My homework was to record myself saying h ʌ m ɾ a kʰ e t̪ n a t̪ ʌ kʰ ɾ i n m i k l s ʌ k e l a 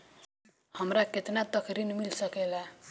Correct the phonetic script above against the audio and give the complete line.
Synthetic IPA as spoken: h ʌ m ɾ a k e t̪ n a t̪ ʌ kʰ ɾ i n m i l s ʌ k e l a